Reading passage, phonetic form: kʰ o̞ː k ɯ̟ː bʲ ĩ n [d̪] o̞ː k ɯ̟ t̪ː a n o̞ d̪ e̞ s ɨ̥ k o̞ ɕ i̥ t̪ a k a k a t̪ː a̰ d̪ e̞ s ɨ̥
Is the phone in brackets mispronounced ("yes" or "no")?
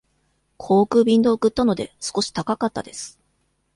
no